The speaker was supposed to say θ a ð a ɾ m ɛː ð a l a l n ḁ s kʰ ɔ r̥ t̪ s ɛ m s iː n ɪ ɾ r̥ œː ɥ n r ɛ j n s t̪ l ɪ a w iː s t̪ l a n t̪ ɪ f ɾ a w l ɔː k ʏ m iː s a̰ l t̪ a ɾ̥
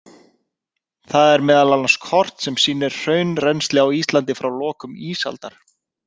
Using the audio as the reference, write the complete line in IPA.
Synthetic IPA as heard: θ a ð ɛ ɾ m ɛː ð a l a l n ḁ s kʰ ɔ r̥ t̪ s ɛ m s iː n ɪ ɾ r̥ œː ɥ n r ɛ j n s t̪ l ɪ a w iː s t̪ l a n t̪ ɪ f ɾ a w l ɔː k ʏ m iː s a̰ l t̪ a ɾ̥